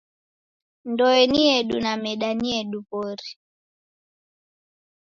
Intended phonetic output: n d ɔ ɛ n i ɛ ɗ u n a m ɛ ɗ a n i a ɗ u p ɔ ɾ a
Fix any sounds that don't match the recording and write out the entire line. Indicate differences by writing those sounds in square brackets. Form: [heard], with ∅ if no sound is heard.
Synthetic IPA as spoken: n d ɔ ɛ n i ɛ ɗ u n a m ɛ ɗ a n i [ɛ] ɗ u p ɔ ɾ [i]